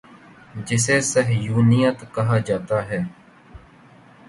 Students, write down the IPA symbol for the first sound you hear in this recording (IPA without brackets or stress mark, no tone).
d͡ʒ